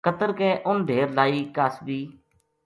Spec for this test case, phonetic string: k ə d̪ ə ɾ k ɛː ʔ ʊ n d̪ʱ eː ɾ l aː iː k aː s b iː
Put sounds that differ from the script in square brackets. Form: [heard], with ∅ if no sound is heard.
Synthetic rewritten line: k ə [t̪] ə ɾ k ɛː ʔ ʊ n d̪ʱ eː ɾ l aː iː k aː s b iː